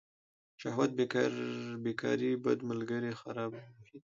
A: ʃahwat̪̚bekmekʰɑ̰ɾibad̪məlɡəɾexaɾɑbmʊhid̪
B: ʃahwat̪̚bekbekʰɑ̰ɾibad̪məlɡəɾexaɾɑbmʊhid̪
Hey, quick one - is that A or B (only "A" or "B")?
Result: B